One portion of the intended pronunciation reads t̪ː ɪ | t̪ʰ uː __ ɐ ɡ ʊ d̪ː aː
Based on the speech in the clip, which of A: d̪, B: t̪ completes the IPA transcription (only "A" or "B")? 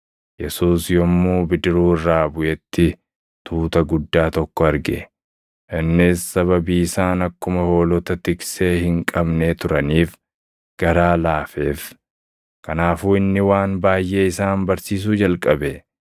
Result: B